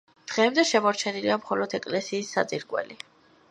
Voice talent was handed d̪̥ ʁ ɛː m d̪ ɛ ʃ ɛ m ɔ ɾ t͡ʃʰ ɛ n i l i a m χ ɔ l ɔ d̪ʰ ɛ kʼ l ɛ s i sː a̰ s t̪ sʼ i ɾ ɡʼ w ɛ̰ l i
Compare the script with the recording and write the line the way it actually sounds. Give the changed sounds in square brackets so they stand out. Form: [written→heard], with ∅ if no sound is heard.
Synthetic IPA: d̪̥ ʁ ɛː m d̪ ɛ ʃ ɛ m ɔ ɾ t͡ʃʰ ɛ n i l i a m χ ɔ l ɔ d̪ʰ ɛ kʼ l ɛ s [i→iː] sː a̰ [s→∅] t̪ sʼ i ɾ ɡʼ w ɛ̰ l i